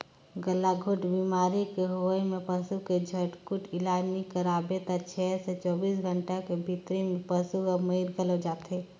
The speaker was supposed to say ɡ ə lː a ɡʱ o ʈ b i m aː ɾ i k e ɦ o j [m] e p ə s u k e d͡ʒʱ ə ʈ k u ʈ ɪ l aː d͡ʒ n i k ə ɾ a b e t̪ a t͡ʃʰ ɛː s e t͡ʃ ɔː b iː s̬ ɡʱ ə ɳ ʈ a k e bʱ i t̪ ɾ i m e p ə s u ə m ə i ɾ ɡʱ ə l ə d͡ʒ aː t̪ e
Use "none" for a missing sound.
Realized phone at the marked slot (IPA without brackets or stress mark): m